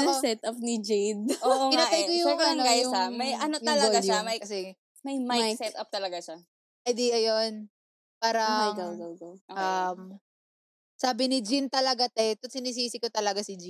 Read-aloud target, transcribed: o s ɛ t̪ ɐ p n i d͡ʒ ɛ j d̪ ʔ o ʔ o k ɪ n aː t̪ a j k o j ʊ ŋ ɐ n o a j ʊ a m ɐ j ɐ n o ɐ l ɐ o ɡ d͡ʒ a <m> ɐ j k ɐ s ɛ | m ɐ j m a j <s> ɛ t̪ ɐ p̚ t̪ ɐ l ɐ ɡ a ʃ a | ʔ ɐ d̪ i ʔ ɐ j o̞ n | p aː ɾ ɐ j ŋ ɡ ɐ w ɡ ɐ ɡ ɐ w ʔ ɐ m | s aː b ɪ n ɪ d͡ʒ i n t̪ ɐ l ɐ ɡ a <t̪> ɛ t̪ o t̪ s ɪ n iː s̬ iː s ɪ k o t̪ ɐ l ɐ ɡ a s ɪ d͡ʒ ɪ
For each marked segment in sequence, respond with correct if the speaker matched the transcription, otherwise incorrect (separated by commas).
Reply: correct, correct, correct